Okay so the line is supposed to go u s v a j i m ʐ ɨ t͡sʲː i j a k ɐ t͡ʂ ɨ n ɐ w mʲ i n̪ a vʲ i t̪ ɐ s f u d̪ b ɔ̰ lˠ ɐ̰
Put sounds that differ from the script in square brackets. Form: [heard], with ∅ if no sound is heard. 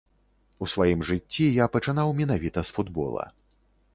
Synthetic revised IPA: u s v a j i m ʐ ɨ t͡sʲː i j a [p] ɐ t͡ʂ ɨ n [a] w mʲ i n̪ a vʲ i t̪ ɐ s f u d̪ b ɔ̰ lˠ ɐ̰